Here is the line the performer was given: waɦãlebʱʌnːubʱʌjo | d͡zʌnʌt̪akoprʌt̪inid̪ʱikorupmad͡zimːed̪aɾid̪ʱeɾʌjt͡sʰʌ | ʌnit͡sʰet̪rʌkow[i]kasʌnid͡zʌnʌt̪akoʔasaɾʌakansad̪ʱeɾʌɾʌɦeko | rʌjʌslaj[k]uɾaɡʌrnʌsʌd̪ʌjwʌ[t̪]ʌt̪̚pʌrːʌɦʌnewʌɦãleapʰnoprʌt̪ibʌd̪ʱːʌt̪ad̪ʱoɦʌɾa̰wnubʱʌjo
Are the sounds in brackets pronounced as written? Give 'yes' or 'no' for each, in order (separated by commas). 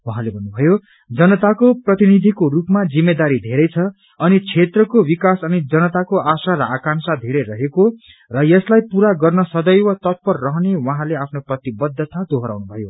yes, no, yes